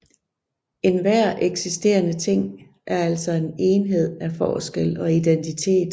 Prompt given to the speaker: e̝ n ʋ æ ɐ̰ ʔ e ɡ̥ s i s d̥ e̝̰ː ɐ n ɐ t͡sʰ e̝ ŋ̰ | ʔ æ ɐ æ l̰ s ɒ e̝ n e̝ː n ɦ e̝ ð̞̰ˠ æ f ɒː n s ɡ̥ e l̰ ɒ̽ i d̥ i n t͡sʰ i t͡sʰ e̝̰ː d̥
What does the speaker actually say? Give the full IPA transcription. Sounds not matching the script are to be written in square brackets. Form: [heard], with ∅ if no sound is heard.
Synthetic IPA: e̝ n ʋ æ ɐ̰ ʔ e ɡ̥ s i s d̥ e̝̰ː ɐ n [ə] t͡sʰ e̝ ŋ̰ | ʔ æ ɐ æ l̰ s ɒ e̝ n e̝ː n ɦ e̝ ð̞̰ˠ æ f ɒː [∅] s ɡ̥ e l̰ ɒ̽ i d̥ [e] n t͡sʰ i t͡sʰ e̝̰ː d̥